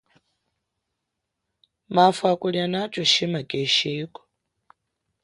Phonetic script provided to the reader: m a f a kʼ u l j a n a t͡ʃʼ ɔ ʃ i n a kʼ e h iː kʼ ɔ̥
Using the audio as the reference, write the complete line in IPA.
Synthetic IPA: m a f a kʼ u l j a n a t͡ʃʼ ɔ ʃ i m a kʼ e ʃ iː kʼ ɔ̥